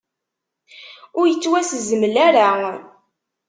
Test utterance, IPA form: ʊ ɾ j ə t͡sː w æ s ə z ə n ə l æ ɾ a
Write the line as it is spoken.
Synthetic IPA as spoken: ʊ ɾ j ə t͡sː w æ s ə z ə m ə l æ ɾ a